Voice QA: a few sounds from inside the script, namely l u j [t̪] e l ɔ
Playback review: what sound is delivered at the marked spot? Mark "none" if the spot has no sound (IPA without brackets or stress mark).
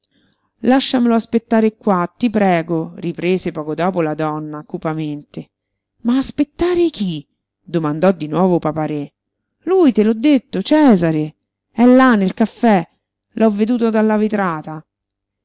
t̪